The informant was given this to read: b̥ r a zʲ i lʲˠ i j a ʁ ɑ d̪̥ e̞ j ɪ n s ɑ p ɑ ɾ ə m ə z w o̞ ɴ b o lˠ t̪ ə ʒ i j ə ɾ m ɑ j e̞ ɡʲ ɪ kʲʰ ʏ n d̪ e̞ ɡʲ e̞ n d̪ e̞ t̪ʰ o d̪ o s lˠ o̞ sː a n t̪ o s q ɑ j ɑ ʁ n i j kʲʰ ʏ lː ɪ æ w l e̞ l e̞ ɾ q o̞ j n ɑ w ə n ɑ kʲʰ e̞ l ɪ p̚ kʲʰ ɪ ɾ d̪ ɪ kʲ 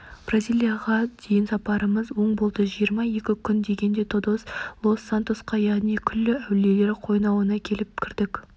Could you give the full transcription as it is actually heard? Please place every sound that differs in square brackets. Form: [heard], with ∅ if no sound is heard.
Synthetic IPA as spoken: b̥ r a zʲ i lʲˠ i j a ʁ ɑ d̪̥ e̞ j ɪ n s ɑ p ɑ ɾ ə m ə z w o̞ ɴ b o lˠ [d̪] ə ʒ i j ə ɾ m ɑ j e̞ [kʲ] ɪ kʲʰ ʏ n d̪ e̞ ɡʲ e̞ n d̪ e̞ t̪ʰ o d̪ o s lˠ o̞ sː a n t̪ o s q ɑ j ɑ ʁ n i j kʲʰ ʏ lː ɪ æ w l e̞ l e̞ ɾ [qʰ] o̞ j n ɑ w ə n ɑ kʲʰ e̞ l ɪ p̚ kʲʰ ɪ ɾ d̪ ɪ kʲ

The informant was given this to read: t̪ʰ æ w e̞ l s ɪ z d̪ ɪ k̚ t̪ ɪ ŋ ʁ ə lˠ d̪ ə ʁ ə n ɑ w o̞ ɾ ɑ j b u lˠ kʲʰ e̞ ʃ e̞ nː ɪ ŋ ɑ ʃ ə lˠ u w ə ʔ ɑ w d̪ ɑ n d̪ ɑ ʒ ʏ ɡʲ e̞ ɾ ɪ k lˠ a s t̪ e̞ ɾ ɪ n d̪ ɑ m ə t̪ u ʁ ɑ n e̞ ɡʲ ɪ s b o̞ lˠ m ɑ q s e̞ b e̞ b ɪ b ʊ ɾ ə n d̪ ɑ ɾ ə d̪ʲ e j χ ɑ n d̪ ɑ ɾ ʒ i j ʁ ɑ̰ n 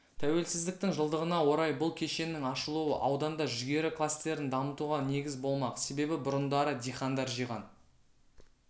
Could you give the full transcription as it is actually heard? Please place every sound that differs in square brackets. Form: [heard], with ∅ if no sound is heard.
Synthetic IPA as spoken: t̪ʰ æ w e̞ l s ɪ z d̪ ɪ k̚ t̪ ɪ ŋ [ʒ] ə lˠ d̪ ə ʁ ə n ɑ w o̞ ɾ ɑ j b [ʊ] lˠ kʲʰ e̞ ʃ e̞ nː ɪ ŋ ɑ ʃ ə lˠ u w ə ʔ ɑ w d̪ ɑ n d̪ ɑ ʒ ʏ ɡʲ e̞ ɾ ɪ k lˠ a s t̪ e̞ ɾ ɪ n d̪ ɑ m ə t̪ u ʁ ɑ n e̞ ɡʲ ɪ [z] b o̞ lˠ m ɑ q s e̞ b e̞ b ɪ b ʊ ɾ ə n d̪ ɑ ɾ ə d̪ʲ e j χ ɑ n d̪ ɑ ɾ ʒ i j ʁ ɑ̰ n

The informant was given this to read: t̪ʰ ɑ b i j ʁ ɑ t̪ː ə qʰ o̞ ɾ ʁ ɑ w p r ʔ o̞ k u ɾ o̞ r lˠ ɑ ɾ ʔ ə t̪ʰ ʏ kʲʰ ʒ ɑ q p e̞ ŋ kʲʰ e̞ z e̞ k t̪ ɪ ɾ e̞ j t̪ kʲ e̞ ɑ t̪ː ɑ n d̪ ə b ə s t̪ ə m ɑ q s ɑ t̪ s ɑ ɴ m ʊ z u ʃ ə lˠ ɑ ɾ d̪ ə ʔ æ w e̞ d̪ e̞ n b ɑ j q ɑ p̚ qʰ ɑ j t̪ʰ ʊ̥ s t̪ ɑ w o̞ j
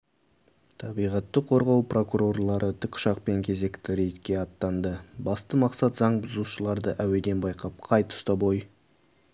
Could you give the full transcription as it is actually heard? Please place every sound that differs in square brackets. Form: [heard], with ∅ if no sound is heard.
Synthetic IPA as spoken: t̪ʰ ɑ b i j ʁ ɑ t̪ː ə qʰ o̞ ɾ ʁ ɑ w p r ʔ o̞ k u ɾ o̞ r lˠ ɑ ɾ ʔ ə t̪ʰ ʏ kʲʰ [ʃ] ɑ q p e̞ ŋ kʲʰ e̞ z e̞ k t̪ ɪ ɾ e̞ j t̪ kʲ e̞ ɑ t̪ː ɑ n d̪ ə b [ɑ] s t̪ ə m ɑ q s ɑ t̪ [z] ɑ ɴ [b] ʊ z u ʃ ə lˠ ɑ ɾ d̪ ə ʔ æ w e̞ d̪ e̞ n b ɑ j q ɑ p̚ qʰ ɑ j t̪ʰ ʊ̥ s t̪ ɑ [b] o̞ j

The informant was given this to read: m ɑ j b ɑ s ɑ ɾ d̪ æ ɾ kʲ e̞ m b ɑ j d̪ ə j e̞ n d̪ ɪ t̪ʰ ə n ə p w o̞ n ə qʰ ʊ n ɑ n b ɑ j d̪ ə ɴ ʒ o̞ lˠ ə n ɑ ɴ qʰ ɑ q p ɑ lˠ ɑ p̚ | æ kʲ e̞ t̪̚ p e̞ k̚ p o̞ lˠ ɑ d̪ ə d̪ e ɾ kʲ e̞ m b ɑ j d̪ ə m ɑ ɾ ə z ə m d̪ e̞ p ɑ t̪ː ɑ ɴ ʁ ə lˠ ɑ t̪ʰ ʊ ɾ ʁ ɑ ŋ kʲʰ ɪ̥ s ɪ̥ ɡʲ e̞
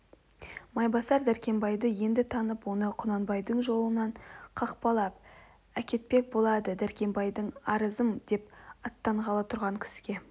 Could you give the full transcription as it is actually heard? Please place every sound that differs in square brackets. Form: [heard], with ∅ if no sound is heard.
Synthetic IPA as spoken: m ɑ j b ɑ s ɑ ɾ d̪ æ ɾ kʲ e̞ m b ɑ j d̪ ə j e̞ n d̪ ɪ t̪ʰ [ɑ] n ə p w o̞ n ə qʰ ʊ n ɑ n b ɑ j d̪ ə ɴ ʒ o̞ lˠ ə n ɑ ɴ qʰ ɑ q p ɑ lˠ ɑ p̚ | æ kʲ e̞ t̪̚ p e̞ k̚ [b] o̞ lˠ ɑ d̪ ə d̪ [æ] ɾ kʲ e̞ m b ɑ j d̪ ə [ɴ] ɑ ɾ ə z ə m d̪ e̞ p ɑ t̪ː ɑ ɴ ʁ [ɑ] lˠ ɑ t̪ʰ ʊ ɾ ʁ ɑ ŋ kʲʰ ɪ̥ s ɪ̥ ɡʲ e̞

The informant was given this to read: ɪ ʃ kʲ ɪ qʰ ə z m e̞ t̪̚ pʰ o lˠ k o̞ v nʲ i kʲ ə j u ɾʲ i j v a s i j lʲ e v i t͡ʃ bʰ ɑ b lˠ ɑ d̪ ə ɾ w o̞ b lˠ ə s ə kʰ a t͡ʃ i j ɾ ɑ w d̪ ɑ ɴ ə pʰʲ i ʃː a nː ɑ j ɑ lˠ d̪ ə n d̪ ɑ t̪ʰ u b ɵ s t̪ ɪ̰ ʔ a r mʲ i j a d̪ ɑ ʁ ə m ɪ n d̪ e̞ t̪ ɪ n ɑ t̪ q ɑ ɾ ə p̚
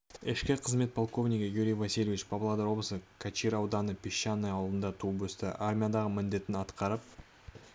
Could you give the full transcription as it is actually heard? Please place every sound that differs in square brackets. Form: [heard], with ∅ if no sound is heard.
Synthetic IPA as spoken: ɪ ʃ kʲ ɪ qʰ ə z m e̞ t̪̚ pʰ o lˠ k o̞ v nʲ i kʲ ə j u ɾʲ i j v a s i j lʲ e v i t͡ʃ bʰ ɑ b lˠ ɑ d̪ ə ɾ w o̞ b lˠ ə s ə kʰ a t͡ʃ i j ɾ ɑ w d̪ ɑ [n] ə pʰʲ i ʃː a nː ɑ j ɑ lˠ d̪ ə n d̪ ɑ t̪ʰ u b ɵ s t̪ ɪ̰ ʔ a r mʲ i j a d̪ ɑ ʁ ə m ɪ n d̪ e̞ t̪ ɪ n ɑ t̪ q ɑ ɾ ə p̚

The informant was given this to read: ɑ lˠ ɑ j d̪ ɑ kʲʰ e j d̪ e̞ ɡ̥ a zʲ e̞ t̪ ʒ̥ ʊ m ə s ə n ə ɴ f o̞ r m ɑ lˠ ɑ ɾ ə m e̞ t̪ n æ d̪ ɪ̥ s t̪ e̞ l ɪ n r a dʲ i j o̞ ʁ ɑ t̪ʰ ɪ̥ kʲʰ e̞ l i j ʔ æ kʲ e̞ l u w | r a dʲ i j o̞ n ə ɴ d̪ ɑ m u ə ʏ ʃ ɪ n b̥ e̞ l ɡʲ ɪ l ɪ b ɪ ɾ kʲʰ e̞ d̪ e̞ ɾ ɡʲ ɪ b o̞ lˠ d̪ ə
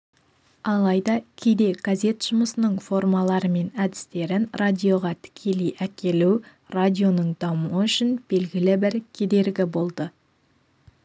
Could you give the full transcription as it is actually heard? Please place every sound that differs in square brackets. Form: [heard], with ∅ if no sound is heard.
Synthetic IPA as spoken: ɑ lˠ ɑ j d̪ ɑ kʲʰ e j d̪ e̞ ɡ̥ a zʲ e̞ t̪ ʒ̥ ʊ m ə s ə n ə ɴ f o̞ r m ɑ lˠ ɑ ɾ ə m e̞ [∅] n æ d̪ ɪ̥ s t̪ e̞ [ɾ] ɪ n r a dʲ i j o̞ ʁ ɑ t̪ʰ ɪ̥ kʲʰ e̞ l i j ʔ æ kʲ e̞ l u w | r a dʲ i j o̞ n ə ɴ d̪ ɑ m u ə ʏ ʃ ɪ n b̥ e̞ l ɡʲ ɪ l ɪ b ɪ ɾ kʲʰ e̞ d̪ e̞ ɾ ɡʲ ɪ b o̞ lˠ d̪ ə

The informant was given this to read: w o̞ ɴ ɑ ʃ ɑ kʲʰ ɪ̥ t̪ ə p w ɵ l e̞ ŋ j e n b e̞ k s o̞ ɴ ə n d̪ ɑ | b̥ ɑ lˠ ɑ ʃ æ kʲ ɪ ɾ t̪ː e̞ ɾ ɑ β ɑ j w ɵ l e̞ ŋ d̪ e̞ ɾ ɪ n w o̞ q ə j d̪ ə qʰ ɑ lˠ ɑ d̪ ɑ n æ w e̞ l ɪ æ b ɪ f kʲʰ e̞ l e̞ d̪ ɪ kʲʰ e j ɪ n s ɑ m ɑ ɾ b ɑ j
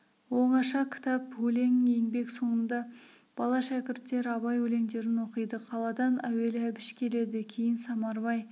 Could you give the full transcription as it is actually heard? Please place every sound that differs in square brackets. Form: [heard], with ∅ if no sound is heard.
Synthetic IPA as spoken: w o̞ ɴ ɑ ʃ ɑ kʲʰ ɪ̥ t̪ [ɑ] p w ɵ l e̞ ŋ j e [ŋ] b e̞ k s o̞ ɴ ə n d̪ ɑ | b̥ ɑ lˠ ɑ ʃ æ kʲ ɪ ɾ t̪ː e̞ ɾ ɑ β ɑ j w ɵ l e̞ ŋ d̪ e̞ ɾ ɪ n w o̞ q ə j d̪ ə qʰ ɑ lˠ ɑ d̪ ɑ n æ w e̞ l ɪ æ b ɪ [ʃ] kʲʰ e̞ l e̞ d̪ ɪ kʲʰ e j ɪ n s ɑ m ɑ ɾ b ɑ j

